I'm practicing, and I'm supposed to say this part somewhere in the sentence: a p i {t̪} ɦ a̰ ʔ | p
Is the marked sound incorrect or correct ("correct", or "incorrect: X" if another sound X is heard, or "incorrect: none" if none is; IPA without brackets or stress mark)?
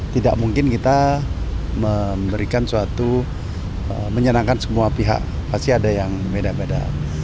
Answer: incorrect: none